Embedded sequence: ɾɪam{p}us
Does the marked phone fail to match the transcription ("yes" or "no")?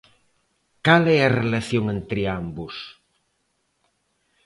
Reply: yes